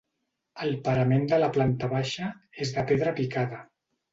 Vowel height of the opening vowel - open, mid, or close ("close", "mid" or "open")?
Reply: mid